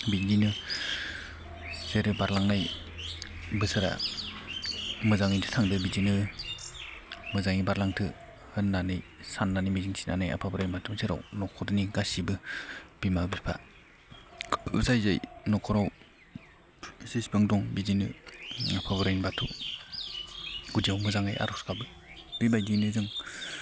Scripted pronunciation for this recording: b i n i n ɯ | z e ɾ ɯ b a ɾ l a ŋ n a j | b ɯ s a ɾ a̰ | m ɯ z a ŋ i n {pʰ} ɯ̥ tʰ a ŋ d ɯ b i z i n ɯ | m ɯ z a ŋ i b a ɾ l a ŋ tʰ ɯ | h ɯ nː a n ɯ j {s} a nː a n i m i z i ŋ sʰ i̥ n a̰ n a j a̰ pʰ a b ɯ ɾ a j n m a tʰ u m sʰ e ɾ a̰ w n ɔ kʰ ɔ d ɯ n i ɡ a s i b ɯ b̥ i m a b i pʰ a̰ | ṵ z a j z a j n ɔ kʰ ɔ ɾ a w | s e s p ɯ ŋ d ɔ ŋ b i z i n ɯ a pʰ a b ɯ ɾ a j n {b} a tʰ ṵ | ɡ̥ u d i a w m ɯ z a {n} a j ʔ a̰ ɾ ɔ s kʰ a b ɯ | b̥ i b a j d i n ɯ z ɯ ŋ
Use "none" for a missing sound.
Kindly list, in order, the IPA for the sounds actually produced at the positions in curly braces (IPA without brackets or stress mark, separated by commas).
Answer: tʰ, s, b, ŋ